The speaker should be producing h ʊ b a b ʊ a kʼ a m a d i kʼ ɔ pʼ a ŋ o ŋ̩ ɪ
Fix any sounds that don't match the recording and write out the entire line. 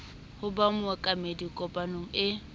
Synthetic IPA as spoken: h ʊ b a m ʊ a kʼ a m e d i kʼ ɔ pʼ a n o ŋ̩ ɪ